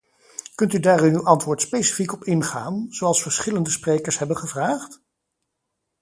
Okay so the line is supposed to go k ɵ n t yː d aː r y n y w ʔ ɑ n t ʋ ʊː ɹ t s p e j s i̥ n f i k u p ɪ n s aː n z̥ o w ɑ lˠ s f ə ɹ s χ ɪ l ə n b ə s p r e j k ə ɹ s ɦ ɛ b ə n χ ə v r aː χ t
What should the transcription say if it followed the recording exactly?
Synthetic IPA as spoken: k ɵ n t y d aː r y n y w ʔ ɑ n t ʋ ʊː ɹ t s p e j s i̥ f i k ɔ p ɪ n χ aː n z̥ o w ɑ lˠ s f ə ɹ s χ ɪ l ə n d ə s p r e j k ə ɹ s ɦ ɛ b ə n χ ə v r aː χ t